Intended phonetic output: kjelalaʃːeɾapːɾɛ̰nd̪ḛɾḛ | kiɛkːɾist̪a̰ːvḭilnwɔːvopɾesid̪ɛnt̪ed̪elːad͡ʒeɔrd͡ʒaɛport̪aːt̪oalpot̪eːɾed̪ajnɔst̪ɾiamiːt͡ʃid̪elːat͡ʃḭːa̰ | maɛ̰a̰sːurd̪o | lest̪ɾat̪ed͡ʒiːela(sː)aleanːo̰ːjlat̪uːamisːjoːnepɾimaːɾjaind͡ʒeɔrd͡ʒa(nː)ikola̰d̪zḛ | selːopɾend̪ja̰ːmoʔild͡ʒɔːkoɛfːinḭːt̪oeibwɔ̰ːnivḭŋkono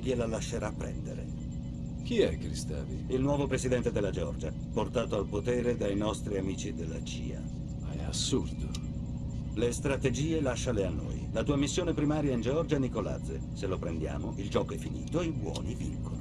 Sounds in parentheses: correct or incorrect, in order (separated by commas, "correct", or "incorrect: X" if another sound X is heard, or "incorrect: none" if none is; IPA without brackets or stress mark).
incorrect: ʃː, incorrect: n